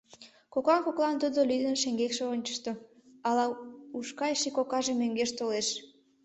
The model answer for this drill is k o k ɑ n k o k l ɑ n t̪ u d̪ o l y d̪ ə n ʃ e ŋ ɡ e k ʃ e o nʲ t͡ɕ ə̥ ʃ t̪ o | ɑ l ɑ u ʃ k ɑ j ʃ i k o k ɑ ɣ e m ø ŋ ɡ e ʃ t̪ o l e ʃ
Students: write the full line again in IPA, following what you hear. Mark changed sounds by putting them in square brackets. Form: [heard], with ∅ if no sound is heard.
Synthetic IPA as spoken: k o k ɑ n k o k l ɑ n t̪ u d̪ o l y d̪ ə n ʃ e ŋ ɡ e k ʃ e o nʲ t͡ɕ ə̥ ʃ t̪ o | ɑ l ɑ u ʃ k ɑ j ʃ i k o k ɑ [ʒ] e m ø ŋ ɡ e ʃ t̪ o l e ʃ